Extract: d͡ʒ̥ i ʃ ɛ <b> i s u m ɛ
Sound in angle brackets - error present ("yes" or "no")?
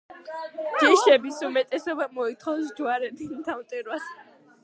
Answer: no